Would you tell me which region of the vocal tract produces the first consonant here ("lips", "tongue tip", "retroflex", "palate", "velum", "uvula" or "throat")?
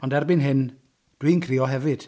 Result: tongue tip